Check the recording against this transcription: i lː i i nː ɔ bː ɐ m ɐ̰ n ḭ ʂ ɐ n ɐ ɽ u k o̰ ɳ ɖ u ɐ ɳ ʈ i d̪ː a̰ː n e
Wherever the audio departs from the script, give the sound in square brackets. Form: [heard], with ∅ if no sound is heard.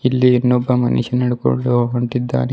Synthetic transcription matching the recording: i lː i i nː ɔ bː ɐ m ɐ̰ n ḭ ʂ ɐ n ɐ ɽ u k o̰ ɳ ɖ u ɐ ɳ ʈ i d̪ː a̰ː n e